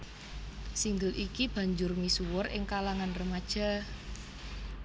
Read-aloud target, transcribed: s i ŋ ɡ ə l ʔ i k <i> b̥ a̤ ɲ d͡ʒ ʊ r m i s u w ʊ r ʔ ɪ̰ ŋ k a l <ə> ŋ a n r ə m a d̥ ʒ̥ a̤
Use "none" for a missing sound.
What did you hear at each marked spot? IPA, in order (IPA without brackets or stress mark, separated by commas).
i, a